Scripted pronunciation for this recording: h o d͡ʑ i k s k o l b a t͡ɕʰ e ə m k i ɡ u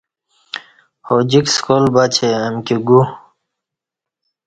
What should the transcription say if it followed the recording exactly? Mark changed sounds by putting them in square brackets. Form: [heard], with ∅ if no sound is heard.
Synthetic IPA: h o d͡ʑ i k s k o l b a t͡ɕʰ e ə m k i ɡ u